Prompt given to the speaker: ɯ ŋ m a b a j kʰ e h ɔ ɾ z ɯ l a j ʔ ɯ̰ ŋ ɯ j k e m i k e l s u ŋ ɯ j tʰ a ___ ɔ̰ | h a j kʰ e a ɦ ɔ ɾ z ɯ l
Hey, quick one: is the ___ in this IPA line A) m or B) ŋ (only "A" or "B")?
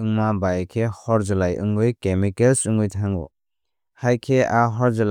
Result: B